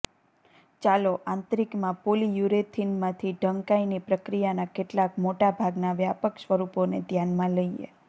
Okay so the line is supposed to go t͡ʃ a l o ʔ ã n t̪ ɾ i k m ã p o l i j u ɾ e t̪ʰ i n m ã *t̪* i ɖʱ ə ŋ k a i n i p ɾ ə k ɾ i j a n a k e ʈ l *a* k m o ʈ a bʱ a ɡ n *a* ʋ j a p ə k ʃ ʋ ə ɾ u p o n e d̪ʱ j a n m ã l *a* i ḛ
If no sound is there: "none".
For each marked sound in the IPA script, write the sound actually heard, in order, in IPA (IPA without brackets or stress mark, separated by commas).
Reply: t̪ʰ, a, a, ə